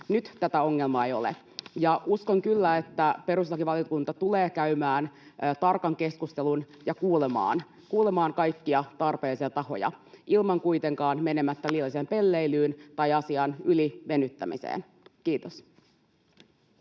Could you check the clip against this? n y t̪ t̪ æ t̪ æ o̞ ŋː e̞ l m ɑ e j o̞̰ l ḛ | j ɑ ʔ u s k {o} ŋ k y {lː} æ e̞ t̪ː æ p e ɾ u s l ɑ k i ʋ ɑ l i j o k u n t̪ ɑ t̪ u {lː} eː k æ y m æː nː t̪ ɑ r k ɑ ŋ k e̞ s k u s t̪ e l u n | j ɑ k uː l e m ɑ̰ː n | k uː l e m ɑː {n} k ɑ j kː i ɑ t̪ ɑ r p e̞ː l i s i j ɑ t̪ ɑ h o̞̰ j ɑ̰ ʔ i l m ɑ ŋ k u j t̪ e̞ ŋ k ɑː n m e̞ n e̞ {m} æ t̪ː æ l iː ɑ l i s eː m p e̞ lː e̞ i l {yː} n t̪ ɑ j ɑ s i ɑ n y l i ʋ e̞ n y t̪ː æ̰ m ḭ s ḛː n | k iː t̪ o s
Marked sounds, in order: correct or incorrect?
correct, correct, incorrect: l, incorrect: ŋ, correct, correct

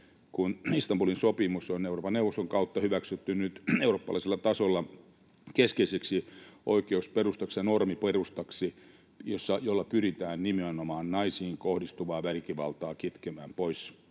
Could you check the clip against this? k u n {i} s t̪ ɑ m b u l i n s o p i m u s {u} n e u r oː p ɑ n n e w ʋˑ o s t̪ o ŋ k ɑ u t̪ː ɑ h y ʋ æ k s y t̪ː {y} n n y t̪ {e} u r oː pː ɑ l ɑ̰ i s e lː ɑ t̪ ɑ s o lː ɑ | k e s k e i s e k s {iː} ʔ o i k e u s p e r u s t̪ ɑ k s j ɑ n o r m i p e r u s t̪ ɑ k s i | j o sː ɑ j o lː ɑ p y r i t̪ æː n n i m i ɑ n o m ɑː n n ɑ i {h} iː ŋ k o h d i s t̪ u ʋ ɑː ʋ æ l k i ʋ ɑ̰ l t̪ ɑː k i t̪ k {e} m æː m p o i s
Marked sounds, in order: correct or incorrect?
correct, incorrect: o, correct, correct, incorrect: i, incorrect: s, correct

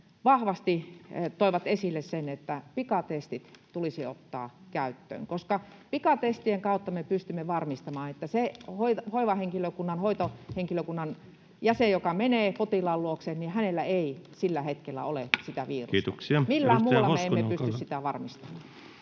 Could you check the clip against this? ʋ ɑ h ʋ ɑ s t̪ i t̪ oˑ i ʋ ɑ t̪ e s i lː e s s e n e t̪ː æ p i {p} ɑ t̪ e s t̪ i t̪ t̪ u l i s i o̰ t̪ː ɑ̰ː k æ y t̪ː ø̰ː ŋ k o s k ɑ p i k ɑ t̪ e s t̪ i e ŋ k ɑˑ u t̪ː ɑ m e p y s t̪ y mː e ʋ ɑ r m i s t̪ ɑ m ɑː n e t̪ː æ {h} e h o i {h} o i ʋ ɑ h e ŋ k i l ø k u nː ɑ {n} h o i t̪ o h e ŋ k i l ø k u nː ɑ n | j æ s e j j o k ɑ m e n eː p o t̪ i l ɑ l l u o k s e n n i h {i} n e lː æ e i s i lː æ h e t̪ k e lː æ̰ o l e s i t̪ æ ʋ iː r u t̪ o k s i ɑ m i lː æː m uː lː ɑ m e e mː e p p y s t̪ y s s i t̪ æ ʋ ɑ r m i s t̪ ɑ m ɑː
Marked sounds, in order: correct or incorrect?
incorrect: k, incorrect: s, correct, correct, incorrect: æ

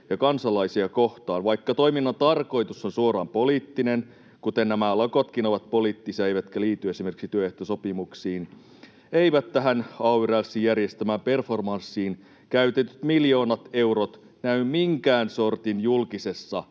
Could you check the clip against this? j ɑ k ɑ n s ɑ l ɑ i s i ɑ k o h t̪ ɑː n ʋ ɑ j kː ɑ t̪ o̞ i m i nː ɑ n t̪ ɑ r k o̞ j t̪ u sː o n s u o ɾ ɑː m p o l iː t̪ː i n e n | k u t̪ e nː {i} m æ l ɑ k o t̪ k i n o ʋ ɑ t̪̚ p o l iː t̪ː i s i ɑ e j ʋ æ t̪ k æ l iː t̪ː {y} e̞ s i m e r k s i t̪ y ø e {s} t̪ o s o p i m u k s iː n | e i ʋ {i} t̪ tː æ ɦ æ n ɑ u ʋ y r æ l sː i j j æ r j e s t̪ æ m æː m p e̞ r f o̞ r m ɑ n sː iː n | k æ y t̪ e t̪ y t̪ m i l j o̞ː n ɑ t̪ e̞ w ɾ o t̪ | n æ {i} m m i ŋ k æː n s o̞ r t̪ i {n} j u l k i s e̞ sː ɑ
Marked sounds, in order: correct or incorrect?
incorrect: æ, correct, incorrect: h, incorrect: æ, incorrect: y, correct

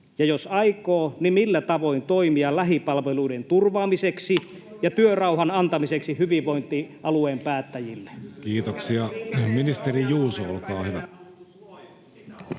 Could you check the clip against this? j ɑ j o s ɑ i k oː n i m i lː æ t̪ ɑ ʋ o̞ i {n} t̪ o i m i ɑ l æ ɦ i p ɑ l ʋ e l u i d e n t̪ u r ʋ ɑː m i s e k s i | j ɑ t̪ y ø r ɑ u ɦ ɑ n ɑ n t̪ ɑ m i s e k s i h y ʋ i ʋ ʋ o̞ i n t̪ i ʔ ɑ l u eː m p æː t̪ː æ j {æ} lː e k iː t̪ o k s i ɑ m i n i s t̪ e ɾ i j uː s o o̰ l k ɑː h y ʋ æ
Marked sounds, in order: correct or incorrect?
correct, incorrect: i

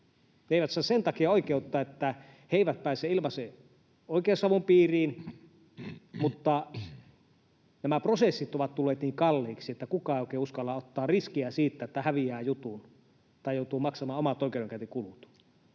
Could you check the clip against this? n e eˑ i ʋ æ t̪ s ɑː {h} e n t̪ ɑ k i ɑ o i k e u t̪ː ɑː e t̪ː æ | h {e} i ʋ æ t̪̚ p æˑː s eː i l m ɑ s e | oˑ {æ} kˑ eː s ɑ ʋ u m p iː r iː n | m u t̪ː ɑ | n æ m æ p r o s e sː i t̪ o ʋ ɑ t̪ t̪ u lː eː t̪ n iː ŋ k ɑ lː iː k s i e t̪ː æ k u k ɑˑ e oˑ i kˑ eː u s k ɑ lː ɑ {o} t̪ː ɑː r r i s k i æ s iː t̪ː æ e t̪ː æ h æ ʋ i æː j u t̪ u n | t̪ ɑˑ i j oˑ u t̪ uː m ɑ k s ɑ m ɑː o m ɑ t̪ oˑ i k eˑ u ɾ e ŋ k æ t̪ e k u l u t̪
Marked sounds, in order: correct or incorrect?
incorrect: s, correct, incorrect: i, correct

